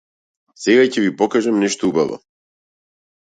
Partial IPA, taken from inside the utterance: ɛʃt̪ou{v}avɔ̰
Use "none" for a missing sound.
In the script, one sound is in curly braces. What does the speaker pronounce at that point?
b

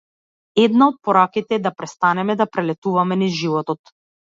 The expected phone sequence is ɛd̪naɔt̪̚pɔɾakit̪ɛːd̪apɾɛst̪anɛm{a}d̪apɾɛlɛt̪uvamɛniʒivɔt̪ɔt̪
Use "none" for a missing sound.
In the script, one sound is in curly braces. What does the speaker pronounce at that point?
ɛ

